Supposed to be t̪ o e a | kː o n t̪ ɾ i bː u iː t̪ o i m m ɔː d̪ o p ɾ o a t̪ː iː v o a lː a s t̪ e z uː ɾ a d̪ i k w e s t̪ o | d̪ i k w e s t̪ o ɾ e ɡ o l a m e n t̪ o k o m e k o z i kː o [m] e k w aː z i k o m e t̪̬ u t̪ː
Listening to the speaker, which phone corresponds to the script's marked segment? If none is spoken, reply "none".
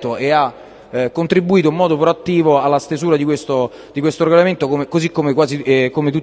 m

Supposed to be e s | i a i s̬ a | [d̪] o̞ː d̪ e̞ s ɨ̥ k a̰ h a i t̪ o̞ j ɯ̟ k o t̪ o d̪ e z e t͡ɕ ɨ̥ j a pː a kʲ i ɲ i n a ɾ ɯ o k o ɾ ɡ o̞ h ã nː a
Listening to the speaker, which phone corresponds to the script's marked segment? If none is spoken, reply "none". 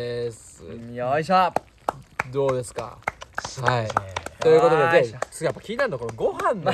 d̪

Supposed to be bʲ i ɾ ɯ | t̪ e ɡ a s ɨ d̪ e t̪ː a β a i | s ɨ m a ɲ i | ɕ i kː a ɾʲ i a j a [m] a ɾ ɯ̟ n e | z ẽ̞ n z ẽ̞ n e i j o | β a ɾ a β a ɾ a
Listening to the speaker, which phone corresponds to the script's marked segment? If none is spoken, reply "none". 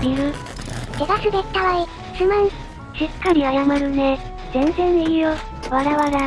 m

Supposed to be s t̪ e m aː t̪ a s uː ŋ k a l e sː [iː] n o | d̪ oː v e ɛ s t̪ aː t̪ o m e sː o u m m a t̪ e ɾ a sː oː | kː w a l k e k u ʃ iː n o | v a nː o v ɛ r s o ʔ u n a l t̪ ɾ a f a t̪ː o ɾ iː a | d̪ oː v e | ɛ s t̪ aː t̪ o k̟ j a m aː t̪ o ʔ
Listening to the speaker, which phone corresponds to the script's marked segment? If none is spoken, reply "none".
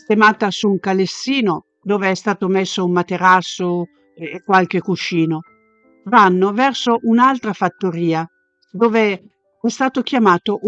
iː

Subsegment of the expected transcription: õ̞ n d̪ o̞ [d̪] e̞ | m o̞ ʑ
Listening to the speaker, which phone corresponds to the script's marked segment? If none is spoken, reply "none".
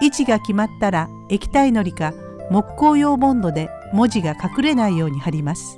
d̪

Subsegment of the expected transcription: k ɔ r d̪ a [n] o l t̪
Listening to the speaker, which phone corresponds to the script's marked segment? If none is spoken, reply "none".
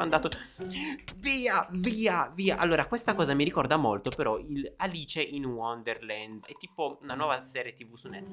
m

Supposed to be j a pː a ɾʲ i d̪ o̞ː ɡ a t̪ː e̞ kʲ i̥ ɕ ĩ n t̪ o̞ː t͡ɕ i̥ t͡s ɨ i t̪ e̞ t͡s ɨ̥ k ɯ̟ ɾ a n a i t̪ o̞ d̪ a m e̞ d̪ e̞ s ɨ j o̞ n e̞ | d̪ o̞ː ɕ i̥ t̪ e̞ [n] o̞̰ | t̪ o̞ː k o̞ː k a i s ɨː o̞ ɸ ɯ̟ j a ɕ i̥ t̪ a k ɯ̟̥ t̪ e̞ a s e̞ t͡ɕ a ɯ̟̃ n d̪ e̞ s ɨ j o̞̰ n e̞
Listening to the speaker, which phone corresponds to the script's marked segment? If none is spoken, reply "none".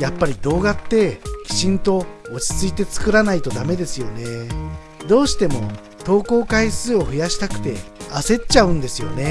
m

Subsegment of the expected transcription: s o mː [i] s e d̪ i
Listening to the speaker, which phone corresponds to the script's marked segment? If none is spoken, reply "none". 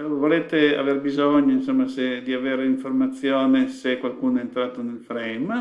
a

